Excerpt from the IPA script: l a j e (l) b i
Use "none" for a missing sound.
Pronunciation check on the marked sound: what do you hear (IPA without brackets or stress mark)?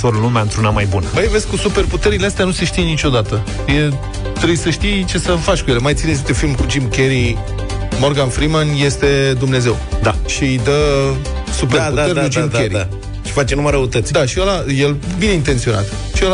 l